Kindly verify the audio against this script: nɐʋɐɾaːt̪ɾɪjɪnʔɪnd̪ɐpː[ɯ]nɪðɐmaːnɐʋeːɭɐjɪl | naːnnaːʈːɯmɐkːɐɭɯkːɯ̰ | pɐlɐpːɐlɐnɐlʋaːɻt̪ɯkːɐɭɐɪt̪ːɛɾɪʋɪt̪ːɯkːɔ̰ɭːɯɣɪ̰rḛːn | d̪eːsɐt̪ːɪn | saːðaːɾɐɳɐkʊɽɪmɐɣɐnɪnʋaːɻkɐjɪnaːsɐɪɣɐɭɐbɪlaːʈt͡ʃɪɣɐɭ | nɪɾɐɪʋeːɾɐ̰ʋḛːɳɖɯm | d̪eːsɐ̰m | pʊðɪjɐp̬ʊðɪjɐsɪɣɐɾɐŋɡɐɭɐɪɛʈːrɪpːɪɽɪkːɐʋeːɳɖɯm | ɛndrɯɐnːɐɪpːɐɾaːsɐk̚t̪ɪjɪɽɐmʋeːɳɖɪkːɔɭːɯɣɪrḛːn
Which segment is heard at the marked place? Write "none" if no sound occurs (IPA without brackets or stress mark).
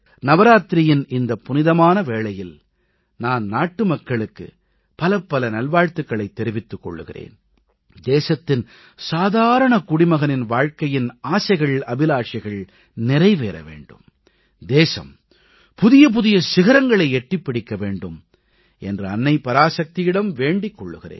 ʊ